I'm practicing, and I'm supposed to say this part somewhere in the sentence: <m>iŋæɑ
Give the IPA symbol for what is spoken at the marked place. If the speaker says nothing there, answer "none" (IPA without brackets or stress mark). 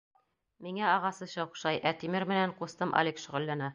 m